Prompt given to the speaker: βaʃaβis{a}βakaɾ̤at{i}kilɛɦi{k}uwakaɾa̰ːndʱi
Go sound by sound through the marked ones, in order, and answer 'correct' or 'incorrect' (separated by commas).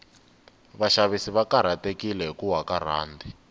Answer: incorrect, incorrect, correct